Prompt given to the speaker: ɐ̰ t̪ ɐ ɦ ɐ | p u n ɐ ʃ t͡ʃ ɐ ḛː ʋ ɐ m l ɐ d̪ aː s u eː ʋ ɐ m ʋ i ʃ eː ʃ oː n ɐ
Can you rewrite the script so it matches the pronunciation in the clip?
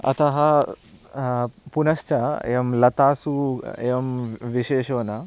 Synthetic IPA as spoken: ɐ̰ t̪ ɐ ɦ ɐ | p u n ɐ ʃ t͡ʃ ɐ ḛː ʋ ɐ m l ɐ t̪ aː s u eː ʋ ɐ m ʋ i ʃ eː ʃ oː n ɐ